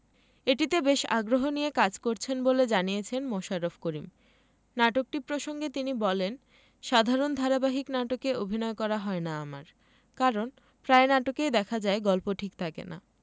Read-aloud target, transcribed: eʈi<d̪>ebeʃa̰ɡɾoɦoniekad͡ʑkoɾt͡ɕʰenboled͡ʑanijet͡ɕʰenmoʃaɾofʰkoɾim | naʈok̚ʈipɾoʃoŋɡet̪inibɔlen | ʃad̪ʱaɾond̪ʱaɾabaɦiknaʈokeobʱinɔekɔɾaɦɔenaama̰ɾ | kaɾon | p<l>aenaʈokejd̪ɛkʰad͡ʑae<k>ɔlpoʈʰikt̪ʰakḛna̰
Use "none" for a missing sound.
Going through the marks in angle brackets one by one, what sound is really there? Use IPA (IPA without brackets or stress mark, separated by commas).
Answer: t̪, ɾ, ɡ